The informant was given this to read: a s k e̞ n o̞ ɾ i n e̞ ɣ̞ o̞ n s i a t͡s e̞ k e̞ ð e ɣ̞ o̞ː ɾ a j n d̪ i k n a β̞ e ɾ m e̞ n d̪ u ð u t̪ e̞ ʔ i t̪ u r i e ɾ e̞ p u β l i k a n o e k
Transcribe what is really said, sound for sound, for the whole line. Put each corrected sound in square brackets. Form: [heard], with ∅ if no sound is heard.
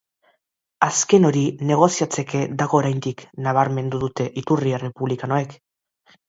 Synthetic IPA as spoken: a s k e̞ n o̞ ɾ i n e̞ ɣ̞ o̞ [∅] s i a t͡s e̞ k e̞ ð [a] ɣ̞ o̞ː ɾ a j n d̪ i k n a β̞ [a] ɾ m e̞ n d̪ u ð u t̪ e̞ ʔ i t̪ u r i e [r] e̞ p u β l i k a n o e k